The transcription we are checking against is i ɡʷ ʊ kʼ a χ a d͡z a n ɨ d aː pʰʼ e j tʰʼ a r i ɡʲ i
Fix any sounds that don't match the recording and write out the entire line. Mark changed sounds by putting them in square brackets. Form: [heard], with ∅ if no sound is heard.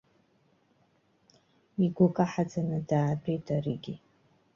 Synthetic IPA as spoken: i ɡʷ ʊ kʼ a [ħ] a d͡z a n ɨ d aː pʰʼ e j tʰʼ a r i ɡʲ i